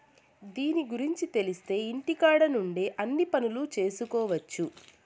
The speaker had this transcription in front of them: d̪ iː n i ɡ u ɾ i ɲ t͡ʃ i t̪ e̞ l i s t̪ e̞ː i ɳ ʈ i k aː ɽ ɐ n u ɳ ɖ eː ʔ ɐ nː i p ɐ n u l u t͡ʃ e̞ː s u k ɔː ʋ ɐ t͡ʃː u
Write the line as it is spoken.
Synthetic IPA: d̪ iː n i ɡ u ɾ i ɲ t͡ʃ i t̪ e̞ l i s t̪ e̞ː i ɳ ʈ i k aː ɽ ɐ n u ɳ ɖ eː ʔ ɐ nː i p ɐ n u l u t͡ʃ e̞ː s u k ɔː ʋ ɐ t͡ʃː u